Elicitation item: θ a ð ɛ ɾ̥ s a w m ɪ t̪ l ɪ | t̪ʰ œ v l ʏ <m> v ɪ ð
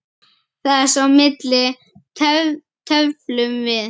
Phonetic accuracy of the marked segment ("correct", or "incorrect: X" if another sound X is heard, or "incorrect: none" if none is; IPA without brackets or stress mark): correct